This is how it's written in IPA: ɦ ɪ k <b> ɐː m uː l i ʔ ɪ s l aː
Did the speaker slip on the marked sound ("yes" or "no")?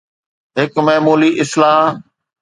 yes